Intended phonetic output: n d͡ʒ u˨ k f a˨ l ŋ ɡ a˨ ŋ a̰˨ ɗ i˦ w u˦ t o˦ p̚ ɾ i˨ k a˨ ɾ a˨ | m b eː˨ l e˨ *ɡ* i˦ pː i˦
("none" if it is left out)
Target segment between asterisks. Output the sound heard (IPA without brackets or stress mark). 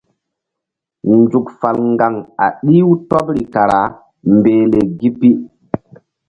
ɡ